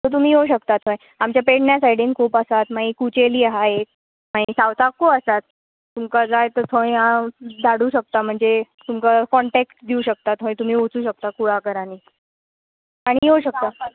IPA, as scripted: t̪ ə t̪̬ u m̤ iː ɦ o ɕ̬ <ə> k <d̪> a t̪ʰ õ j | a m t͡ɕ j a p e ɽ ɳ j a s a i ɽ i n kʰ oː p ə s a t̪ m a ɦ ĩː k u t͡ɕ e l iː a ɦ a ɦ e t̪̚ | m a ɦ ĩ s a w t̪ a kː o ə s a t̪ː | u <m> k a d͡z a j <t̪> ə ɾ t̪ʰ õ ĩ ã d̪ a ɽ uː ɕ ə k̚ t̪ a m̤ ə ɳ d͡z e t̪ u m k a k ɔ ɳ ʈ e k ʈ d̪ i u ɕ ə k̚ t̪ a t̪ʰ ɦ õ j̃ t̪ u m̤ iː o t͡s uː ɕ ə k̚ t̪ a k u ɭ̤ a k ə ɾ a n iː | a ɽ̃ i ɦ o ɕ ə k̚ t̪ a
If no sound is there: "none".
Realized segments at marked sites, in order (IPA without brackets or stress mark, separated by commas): ə, t̪, m, t̪